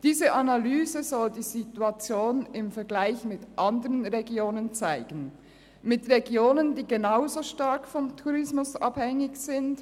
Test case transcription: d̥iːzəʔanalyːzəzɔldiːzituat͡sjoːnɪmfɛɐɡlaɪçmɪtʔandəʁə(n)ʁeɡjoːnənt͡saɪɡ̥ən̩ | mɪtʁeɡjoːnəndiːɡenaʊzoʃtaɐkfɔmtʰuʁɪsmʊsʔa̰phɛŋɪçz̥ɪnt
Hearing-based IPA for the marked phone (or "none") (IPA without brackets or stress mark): n